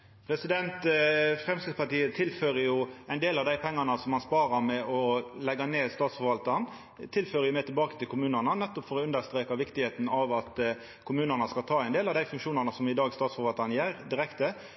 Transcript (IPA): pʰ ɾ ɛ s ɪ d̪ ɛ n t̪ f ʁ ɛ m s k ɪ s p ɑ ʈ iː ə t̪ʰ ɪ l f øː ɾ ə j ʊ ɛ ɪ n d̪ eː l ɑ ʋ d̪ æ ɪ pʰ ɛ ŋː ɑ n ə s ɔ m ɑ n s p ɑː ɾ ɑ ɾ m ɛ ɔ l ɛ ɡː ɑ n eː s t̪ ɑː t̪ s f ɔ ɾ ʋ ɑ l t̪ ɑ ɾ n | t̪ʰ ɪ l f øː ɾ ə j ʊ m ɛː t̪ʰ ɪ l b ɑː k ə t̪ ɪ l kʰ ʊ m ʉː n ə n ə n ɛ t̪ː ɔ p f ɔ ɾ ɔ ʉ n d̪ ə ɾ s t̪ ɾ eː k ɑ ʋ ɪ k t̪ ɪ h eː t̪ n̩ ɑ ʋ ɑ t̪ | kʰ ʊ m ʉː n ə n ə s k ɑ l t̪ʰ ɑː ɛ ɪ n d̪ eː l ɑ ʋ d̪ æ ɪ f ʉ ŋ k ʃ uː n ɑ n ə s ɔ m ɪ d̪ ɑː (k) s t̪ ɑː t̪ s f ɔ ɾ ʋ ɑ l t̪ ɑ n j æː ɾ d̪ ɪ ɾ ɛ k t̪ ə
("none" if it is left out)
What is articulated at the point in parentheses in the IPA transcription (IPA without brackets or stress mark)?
ɡ